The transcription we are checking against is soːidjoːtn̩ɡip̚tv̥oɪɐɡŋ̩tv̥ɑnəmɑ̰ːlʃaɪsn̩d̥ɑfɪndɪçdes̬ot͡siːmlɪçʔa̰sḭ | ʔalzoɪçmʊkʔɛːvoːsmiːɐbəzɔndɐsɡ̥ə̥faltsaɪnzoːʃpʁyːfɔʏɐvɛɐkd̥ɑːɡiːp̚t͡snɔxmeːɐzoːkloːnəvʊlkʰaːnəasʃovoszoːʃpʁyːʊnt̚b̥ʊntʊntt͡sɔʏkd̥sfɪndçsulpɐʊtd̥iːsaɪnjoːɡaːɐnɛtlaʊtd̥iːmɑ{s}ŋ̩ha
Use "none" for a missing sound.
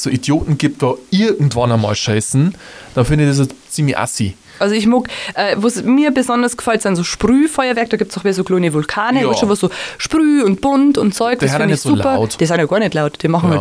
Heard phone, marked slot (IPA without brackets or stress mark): χ